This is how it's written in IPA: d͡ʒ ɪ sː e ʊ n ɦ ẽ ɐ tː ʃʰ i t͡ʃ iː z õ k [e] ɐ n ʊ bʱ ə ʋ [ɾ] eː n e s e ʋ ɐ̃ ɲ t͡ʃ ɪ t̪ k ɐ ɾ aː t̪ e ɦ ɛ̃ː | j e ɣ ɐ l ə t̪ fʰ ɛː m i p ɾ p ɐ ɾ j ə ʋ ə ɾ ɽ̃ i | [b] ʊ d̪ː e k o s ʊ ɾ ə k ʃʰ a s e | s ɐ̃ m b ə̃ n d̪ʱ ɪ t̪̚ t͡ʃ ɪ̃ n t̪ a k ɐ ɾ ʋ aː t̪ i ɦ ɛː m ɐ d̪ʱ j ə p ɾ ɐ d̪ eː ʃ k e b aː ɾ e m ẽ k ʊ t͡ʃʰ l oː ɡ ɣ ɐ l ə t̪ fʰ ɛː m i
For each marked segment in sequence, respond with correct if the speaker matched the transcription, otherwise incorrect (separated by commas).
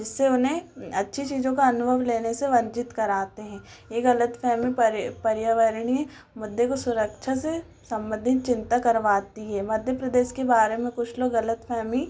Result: incorrect, incorrect, incorrect